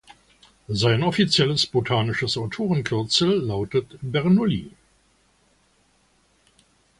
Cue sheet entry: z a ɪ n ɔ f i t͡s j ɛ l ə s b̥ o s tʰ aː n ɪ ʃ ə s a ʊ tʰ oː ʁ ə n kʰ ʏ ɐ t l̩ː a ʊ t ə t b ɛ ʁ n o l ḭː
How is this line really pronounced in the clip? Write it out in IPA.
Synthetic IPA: z a ɪ n ɔ f i t͡s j ɛ l ə s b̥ o tʰ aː n ɪ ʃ ə s a ʊ tʰ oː ʁ ə n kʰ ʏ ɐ t͡s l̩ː a ʊ t ə t b ɛ ʁ n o l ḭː